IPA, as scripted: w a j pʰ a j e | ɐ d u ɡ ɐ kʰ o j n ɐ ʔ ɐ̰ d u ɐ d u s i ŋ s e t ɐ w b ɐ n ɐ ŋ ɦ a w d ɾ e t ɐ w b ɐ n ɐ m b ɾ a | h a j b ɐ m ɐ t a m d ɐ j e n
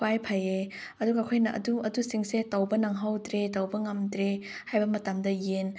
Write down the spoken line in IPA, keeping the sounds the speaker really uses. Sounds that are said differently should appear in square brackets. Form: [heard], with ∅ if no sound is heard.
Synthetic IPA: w a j pʰ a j e | ɐ d u ɡ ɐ kʰ o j n ɐ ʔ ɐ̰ d u ɐ d u s i ŋ s e t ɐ w b ɐ n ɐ ŋ ɦ a w d ɾ e t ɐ w b ɐ [ŋ] ɐ m [d] ɾ [e] | h a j b ɐ m ɐ t a m d ɐ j e n